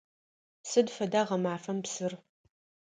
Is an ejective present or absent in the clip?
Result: absent